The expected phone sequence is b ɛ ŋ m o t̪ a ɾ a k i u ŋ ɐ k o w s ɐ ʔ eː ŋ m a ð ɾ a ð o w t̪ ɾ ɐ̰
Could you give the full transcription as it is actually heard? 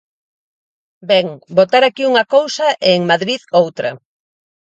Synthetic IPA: b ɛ ŋ b o t̪ a ɾ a k i u ŋ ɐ k o w s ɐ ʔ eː ŋ m a ð ɾ i ð o w t̪ ɾ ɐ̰